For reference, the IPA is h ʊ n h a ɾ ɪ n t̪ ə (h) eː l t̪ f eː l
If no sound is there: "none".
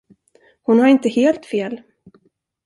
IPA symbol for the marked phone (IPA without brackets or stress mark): h